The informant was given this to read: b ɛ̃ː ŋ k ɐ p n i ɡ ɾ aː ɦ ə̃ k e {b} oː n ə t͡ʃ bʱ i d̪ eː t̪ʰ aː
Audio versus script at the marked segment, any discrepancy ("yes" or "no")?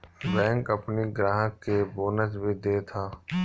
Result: no